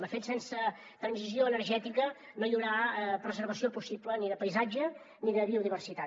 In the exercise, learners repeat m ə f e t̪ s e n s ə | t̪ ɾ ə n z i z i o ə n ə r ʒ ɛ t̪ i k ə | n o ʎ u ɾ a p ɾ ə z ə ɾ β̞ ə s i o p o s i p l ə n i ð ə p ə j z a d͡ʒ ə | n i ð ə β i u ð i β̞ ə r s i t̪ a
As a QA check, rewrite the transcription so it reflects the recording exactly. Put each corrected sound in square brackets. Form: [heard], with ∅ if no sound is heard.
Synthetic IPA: m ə f e t̪ s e n s ə | t̪ ɾ ə n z i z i o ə n ə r ʒ ɛ t̪ i k ə | n o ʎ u ɾ a p ɾ ə z ə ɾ β̞ ə s i o p [u] s i p l ə n i ð ə p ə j z a d͡ʒ ə | n i ð ə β i u ð i β̞ ə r s i t̪ a